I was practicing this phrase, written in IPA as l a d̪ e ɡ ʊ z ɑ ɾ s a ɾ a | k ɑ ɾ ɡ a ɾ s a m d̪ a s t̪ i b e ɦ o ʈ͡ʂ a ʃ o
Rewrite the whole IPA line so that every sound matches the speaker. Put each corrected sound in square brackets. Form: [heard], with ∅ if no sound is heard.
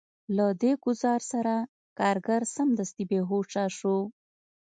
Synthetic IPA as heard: l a d̪ e ɡ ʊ z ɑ ɾ s a ɾ a | k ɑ ɾ ɡ a ɾ s a m d̪ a s t̪ i b e ɦ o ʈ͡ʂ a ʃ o